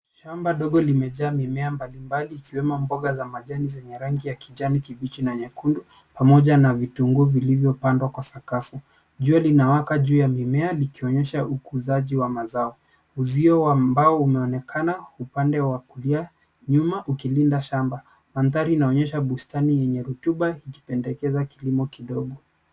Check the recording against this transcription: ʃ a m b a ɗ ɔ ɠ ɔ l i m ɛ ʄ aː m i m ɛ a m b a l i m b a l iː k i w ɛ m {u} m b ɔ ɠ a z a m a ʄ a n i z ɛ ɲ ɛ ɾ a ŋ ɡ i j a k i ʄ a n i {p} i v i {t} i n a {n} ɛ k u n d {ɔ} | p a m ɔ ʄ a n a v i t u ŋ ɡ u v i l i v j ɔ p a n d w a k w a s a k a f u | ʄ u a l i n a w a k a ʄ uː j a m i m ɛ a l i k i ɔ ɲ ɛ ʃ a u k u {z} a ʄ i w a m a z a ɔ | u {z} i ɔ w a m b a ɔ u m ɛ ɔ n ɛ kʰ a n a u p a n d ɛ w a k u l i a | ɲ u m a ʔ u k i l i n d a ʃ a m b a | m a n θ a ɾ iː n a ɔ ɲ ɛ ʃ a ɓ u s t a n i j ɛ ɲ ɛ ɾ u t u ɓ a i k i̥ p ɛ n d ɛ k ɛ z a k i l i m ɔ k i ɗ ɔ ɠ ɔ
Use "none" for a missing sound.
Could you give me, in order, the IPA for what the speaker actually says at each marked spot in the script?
ɔ, k, t͡ʃ, ɲ, u, z, z

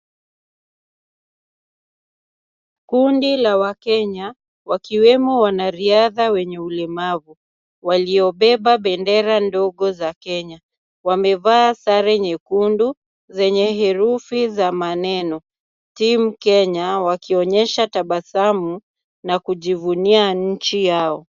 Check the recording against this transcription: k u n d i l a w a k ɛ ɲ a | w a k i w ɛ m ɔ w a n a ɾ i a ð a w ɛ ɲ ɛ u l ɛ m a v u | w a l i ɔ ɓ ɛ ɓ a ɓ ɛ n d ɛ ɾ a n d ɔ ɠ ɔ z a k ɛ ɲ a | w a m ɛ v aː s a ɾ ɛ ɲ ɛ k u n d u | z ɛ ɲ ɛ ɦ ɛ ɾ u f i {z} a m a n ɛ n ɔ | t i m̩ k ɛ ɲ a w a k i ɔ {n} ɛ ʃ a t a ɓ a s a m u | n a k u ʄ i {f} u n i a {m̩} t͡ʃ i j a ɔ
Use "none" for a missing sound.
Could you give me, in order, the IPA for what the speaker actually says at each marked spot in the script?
z, ɲ, v, ɲ̩

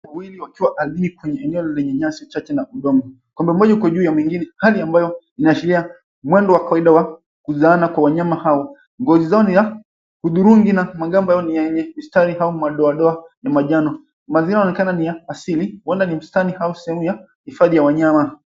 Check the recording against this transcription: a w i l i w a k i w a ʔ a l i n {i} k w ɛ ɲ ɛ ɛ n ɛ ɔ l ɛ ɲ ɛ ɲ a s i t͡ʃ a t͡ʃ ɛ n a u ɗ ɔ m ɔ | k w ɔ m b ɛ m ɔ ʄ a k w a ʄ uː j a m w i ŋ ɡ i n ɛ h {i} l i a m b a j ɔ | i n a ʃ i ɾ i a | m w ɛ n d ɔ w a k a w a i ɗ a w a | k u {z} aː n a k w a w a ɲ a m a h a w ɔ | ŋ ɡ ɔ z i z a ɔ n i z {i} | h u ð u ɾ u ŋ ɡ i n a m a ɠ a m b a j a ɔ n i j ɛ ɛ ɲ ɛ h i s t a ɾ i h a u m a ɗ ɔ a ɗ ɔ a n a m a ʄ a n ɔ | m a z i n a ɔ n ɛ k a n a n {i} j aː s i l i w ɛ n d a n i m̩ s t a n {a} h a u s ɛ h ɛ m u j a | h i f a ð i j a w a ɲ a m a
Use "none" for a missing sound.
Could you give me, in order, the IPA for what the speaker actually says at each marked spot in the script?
i, a, z, a, i, i

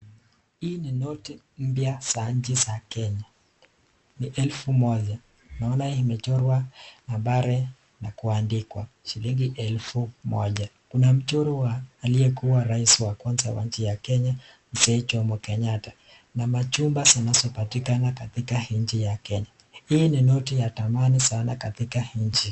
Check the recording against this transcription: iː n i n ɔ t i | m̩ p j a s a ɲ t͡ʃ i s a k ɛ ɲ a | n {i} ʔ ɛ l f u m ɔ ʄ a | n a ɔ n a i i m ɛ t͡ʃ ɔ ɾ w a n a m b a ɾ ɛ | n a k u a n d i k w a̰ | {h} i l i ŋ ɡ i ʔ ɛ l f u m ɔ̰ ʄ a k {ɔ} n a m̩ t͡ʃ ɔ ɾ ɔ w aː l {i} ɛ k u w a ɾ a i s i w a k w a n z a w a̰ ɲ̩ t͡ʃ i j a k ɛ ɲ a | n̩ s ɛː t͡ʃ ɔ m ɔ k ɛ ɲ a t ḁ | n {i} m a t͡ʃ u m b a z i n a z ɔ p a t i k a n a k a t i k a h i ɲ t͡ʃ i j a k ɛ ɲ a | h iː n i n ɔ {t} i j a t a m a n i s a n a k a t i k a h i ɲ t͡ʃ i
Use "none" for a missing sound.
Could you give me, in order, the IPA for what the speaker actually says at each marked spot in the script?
i, ʃ, u, i, a, t

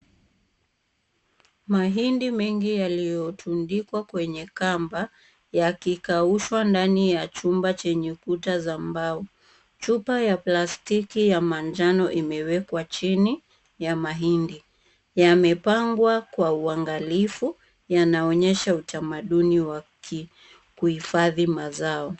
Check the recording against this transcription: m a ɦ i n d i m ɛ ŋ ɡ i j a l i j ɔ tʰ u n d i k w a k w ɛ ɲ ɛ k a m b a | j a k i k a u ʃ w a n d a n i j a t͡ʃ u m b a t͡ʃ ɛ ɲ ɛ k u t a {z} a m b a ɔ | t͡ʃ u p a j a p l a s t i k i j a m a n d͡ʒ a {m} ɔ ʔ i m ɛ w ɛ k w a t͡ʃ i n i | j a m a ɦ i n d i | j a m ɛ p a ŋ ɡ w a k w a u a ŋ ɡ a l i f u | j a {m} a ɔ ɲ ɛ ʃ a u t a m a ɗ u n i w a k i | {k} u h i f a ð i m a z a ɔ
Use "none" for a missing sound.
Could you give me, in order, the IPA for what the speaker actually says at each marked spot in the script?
z, n, n, k

